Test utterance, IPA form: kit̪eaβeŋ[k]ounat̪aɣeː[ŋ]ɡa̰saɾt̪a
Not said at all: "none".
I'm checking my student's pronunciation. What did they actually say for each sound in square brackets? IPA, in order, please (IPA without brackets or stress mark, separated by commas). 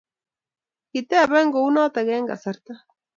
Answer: ɡ, ŋ